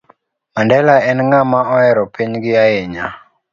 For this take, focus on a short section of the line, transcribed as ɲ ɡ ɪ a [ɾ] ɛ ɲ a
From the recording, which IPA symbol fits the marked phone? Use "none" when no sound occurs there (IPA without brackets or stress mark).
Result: none